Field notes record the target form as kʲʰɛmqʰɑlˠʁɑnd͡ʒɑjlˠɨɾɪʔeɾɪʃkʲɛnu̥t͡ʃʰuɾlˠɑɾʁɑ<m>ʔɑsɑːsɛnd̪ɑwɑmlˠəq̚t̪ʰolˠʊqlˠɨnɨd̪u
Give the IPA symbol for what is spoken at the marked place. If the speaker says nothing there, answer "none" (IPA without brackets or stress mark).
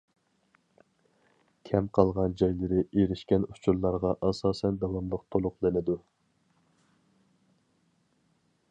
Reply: none